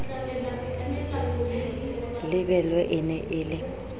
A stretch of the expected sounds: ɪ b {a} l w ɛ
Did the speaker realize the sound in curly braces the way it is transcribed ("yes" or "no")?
no